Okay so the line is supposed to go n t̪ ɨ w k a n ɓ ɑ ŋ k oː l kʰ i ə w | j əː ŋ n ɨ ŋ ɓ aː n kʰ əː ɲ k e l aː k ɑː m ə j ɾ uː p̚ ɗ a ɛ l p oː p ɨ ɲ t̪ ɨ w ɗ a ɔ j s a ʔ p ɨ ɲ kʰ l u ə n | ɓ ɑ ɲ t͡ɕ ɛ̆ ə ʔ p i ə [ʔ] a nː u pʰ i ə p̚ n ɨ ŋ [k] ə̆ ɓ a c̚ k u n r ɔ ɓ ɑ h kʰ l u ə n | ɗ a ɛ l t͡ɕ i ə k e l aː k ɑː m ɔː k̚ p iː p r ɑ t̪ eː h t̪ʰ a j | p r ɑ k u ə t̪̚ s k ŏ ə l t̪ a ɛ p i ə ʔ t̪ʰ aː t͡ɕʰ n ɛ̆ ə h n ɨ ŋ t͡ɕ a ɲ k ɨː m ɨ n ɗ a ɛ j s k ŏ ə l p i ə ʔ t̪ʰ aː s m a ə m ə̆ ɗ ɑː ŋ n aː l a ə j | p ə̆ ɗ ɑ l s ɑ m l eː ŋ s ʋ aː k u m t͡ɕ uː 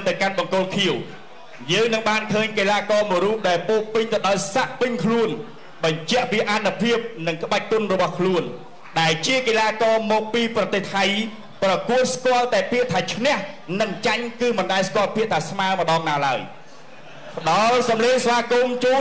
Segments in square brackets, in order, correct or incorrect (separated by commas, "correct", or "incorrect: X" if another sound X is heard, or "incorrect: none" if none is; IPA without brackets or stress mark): correct, correct